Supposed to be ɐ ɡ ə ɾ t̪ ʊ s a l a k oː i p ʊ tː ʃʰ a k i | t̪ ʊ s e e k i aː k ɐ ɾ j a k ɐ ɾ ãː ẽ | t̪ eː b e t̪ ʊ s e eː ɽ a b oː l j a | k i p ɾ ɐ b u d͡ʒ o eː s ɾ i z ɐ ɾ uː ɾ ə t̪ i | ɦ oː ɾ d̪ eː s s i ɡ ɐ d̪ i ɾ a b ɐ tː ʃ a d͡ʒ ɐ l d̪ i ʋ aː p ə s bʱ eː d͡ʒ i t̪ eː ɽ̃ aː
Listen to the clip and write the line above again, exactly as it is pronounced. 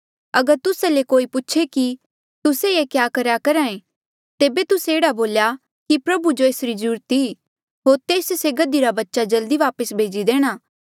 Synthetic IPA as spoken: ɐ ɡ ə ɾ t̪ ʊ s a l e k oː i p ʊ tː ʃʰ e k i | t̪ ʊ s e e k j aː k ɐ ɾ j a k ɐ ɾ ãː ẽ | t̪ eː b e t̪ ʊ s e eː ɽ a b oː l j a | k i p ɾ ɐ b u d͡ʒ o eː s ɾ i z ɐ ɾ uː ɾ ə t̪ i | ɦ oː ɾ t̪ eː s s e ɡ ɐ d̪ i ɾ a b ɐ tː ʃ a d͡ʒ ɐ l d̪ i ʋ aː p ə s bʱ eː d͡ʒ i d̪ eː ɽ̃ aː

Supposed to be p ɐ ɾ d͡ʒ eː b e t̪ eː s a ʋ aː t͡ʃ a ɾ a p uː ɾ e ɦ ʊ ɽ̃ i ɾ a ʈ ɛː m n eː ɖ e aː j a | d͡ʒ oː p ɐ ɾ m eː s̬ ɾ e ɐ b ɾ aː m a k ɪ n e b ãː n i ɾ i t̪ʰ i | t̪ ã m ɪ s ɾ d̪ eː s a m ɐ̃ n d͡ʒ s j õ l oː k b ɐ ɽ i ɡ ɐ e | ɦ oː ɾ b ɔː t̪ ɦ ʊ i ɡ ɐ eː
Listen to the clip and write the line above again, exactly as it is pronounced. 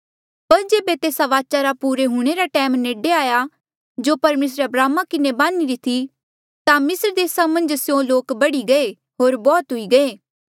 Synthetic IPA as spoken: p ɐ ɾ d͡ʒ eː b e t̪ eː s a ʋ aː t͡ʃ a ɾ a p uː ɾ e ɦ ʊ ɽ̃ e ɾ a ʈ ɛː m n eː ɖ e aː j a | d͡ʒ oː p ɐ ɾ m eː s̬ ɾ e ɐ b ɾ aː m a k ɪ n e b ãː n i ɾ i t̪ʰ i | t̪ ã m ɪ s ɾ d̪ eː s a m ɐ̃ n d͡ʒ s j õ l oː k b ɐ ɽ i ɡ ɐ e | ɦ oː ɾ b ɔː t̪ ɦ ʊ i ɡ ɐ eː

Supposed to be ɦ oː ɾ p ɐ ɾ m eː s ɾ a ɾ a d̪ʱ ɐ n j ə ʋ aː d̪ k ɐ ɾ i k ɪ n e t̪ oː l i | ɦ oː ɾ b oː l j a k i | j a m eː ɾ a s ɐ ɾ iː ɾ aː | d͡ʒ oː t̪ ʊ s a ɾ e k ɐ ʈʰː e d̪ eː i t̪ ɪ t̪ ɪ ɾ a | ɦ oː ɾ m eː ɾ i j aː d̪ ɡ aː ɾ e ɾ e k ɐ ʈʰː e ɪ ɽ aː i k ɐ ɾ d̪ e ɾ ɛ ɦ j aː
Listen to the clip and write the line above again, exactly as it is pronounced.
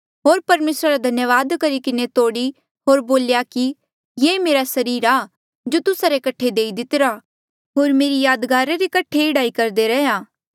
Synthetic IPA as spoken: ɦ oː ɾ p ɐ ɾ m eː s ɾ a ɾ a d̪ʱ ɐ n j ə ʋ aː d̪ k ɐ ɾ i k ɪ n e t̪ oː ɽ i | ɦ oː ɾ b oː l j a k i | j e m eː ɾ a s ɐ ɾ iː ɾ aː | d͡ʒ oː t̪ ʊ s a ɾ e k ɐ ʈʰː e d̪ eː i d̪ ɪ t̪ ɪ ɾ a | ɦ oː ɾ m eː ɾ i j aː d̪ ɡ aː ɾ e ɾ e k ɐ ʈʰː e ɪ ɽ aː i k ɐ ɾ d̪ e ɾ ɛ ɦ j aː

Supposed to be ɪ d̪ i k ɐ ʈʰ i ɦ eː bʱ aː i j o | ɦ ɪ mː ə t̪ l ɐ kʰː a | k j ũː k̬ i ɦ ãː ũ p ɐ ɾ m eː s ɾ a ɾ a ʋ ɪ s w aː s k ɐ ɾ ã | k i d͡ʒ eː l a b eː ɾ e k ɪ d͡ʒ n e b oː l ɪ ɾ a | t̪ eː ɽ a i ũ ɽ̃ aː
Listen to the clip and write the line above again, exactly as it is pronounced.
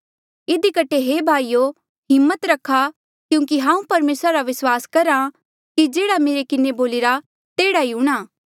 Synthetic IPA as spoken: ɪ d̪ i k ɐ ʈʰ e ɦ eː bʱ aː i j o | ɦ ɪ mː ə t̪ ɾ ɐ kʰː a | k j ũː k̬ i ɦ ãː ũ p ɐ ɾ m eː s ɾ a ɾ a ʋ ɪ s w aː s k ɐ ɾ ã | k i d͡ʒ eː ɽ a m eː ɾ e k ɪ n e b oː l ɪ ɾ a | t̪ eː ɽ a i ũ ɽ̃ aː

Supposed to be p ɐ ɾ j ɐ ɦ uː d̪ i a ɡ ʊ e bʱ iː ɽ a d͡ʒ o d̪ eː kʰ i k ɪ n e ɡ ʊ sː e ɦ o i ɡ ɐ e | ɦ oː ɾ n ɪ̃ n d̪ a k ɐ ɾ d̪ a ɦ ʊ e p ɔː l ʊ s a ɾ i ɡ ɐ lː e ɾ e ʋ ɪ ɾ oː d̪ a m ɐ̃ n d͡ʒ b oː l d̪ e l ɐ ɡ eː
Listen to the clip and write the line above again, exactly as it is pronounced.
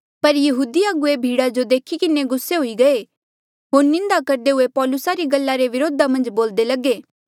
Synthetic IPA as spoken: p ɐ ɾ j ɐ ɦ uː d̪ i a ɡ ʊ e bʱ iː ɽ a d͡ʒ o d̪ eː kʰ i k ɪ n e ɡ ʊ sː e ɦ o i ɡ ɐ e | ɦ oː ɾ n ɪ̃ n d̪ a k ɐ ɾ d̪ e ɦ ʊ e p ɔː l ʊ s a ɾ i ɡ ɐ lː a ɾ e ʋ ɪ ɾ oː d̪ a m ɐ̃ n d͡ʒ b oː l d̪ e l ɐ ɡ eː

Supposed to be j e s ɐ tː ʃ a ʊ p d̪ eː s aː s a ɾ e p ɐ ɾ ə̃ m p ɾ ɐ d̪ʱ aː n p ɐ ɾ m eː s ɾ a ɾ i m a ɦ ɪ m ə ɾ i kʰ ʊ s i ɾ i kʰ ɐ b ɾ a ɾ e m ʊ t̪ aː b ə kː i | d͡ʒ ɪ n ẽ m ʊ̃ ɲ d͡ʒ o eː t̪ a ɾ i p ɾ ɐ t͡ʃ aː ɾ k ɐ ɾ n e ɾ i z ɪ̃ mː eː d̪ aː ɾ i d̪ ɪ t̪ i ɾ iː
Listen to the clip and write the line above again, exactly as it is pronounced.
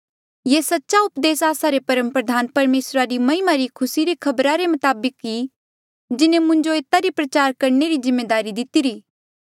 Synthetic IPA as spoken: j e s ɐ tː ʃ a ʊ p d̪ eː s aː s a ɾ e p ɐ ɾ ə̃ m p ɾ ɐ d̪ʱ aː n p ɐ ɾ m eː s ɾ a ɾ i m ɐ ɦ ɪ m a ɾ i kʰ ʊ s i ɾ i kʰ ɐ b ɾ a ɾ e m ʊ t̪ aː b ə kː i | d͡ʒ ɪ n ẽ m ʊ̃ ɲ d͡ʒ o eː t̪ a ɾ i p ɾ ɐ t͡ʃ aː ɾ k ɐ ɾ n e ɾ i z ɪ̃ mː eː d̪ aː ɾ i d̪ ɪ t̪ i ɾ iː

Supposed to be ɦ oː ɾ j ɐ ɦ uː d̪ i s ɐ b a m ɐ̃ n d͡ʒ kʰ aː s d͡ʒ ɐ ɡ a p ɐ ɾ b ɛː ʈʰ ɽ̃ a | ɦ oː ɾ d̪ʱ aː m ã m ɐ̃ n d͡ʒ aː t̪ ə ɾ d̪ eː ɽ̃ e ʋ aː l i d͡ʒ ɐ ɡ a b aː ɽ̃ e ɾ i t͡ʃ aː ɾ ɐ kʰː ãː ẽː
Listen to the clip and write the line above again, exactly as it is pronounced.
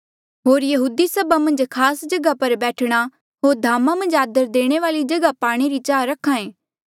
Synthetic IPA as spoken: ɦ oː ɾ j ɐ ɦ uː d̪ i s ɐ b a m ɐ̃ n d͡ʒ kʰ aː s d͡ʒ ɐ ɡ a p ɐ ɾ b ɛː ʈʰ ɽ̃ a | ɦ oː ɾ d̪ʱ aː m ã m ɐ̃ n d͡ʒ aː d̪ ə ɾ d̪ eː ɽ̃ e ʋ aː l i d͡ʒ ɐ ɡ a p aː ɽ̃ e ɾ i t͡ʃ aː ɾ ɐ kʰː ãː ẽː

